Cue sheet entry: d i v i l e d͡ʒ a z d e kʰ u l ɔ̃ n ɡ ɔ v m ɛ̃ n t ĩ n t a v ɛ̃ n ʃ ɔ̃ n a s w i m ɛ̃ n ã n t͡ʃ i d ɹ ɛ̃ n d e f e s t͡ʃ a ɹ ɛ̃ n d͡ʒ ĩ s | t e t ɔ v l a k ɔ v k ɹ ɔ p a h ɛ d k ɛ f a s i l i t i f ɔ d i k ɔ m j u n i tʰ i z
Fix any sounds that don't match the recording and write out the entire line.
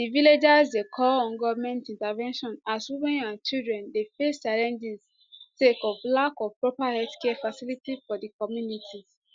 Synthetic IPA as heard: d i v i l e d͡ʒ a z d e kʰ ɔ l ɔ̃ n ɡ ɔ v m ɛ̃ n t ĩ n t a v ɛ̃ n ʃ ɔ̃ n a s w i m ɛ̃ n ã n t͡ʃ i d ɹ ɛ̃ n d e f e s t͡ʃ a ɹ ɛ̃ n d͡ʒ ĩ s | t e k ɔ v l a k ɔ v p ɹ ɔ p a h ɛ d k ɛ f a s i l i t i f ɔ d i k ɔ m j u n i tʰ i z